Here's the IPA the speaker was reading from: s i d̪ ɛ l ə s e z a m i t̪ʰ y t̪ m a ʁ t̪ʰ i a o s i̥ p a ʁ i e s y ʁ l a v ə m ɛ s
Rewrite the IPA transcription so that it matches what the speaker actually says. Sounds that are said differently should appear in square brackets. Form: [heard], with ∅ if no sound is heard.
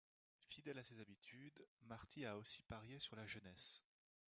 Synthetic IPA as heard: [f] i d̪ ɛ l [a] s e z a [b] i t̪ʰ y [d̪] m a ʁ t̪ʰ i a o s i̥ p a ʁ [j] e s y ʁ l a [ʒ] ə [n] ɛ s

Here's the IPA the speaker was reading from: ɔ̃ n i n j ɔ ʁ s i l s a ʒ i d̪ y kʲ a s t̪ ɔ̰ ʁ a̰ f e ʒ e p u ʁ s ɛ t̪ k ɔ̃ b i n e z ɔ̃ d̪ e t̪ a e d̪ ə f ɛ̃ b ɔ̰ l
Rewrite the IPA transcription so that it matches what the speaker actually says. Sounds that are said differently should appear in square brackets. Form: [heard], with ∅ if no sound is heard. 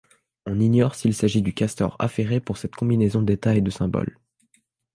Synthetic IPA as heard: ɔ̃ n i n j ɔ ʁ s i l s a ʒ i d̪ y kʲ a s t̪ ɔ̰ ʁ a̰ f e [ʁ] e p u ʁ s ɛ t̪ k ɔ̃ b i n e z ɔ̃ d̪ e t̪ a e d̪ ə [s] ɛ̃ b ɔ̰ l

